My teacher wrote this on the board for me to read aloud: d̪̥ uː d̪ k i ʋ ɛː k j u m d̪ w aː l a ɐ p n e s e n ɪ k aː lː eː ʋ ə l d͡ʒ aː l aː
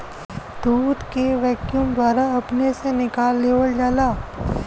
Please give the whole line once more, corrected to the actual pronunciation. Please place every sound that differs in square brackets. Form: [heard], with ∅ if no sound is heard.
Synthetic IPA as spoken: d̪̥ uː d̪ k [e] ʋ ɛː k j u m d̪ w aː [ɾ] a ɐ p n e s e n ɪ k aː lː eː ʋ ə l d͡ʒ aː l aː

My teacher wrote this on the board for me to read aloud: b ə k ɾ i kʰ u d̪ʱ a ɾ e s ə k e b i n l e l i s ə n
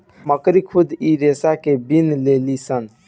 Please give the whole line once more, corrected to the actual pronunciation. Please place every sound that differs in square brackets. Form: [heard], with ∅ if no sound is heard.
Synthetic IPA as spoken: [m] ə k ɾ i kʰ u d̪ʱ [i] ɾ e s [a] k e b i n l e l i s ə n

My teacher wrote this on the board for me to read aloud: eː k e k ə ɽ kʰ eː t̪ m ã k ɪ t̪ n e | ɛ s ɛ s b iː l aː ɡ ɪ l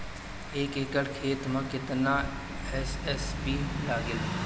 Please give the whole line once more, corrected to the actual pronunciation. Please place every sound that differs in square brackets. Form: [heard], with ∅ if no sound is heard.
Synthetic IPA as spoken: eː k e k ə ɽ kʰ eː t̪ m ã k ɪ t̪ n [a] | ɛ s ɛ s b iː l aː ɡ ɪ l

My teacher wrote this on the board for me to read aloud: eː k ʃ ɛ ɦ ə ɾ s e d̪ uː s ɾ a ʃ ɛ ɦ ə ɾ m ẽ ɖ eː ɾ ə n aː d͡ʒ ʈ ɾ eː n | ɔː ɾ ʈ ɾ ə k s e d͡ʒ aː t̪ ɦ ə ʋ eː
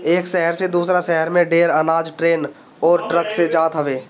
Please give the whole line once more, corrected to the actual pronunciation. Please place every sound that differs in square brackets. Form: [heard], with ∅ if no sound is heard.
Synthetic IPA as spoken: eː k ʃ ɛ ɦ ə ɾ s e d̪ uː s ɾ a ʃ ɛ ɦ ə ɾ m ẽ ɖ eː ɾ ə n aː d͡ʒ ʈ ɾ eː n | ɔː ɾ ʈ ɾ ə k s e d͡ʒ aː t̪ ɦ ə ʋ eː

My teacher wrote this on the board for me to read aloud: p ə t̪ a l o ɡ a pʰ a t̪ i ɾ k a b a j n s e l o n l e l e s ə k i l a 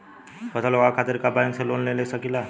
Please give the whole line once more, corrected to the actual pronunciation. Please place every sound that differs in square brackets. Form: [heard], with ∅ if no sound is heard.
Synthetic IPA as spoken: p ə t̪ a l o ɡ a [kʰ] a t̪ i ɾ k a b a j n s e l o n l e l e s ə k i l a

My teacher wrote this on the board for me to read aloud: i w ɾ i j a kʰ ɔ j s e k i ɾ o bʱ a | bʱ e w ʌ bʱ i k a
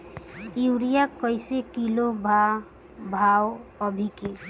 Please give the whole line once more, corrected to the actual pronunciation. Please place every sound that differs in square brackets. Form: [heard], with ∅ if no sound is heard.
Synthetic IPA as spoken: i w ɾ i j a [k] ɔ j s e k i [l] o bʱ a | bʱ [a] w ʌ bʱ i k [e]

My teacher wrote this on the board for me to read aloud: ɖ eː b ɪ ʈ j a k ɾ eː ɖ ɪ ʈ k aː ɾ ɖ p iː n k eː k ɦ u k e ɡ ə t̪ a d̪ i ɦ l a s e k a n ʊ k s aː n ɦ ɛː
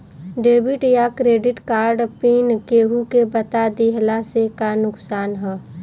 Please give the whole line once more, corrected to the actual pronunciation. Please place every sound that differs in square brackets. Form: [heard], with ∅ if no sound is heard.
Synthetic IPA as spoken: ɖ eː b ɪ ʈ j a k ɾ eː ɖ ɪ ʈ k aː ɾ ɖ p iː n k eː [∅] ɦ u k e [b] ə t̪ a d̪ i ɦ l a s e k a n ʊ k s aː n ɦ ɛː

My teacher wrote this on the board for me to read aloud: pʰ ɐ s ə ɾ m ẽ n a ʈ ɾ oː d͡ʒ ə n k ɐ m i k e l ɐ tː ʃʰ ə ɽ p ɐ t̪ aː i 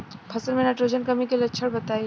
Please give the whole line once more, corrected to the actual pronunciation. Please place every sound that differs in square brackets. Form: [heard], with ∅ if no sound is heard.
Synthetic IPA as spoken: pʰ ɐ s ə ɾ m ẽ n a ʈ ɾ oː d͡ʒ ə n k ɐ m i k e l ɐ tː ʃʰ ə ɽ [b] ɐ t̪ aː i

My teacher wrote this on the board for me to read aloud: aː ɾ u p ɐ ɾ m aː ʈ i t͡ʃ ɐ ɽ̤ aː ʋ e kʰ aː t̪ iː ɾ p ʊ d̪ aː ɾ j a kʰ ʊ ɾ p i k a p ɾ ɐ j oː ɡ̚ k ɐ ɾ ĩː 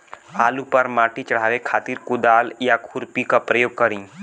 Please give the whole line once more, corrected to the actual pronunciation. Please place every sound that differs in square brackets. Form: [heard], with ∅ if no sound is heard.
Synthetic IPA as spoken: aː [l] u p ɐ ɾ m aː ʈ i t͡ʃ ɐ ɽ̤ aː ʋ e kʰ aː t̪ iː ɾ [k] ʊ d̪ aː [l] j a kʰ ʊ ɾ p i k a p ɾ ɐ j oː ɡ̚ k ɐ ɾ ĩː

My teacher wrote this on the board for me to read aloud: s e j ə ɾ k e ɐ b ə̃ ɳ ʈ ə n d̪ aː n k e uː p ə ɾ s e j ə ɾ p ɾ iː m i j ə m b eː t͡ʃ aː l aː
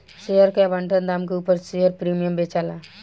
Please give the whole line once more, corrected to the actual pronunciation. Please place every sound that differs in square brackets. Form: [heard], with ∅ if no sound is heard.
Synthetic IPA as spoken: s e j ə ɾ k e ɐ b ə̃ ɳ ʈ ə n d̪ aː [m] k e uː p ə ɾ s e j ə ɾ p ɾ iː m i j ə m b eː t͡ʃ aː l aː

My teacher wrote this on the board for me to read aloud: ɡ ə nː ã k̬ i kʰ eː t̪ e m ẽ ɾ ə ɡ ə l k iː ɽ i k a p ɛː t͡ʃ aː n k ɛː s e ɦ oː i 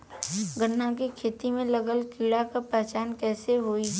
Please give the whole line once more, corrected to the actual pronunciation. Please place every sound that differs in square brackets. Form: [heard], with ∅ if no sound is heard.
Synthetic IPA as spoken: ɡ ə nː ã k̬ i kʰ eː t̪ [i] m ẽ [l] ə ɡ ə l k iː ɽ [a] k a p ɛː t͡ʃ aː n k ɛː s e ɦ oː i

